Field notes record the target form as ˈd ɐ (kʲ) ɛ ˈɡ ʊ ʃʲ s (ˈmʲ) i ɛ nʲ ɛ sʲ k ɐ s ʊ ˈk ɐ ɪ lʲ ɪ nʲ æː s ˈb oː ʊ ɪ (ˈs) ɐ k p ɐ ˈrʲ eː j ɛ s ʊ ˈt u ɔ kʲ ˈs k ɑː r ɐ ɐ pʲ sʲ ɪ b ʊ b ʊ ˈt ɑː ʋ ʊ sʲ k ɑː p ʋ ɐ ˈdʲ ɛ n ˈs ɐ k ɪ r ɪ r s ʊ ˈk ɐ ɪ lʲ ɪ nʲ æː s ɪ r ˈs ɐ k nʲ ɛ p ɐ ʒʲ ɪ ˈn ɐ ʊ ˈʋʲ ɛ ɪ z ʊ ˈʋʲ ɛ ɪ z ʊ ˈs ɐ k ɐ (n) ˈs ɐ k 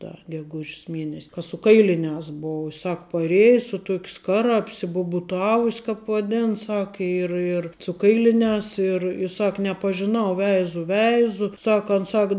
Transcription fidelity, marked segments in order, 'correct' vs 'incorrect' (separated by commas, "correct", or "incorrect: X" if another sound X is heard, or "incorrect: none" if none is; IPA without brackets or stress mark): incorrect: ɡʲ, correct, correct, correct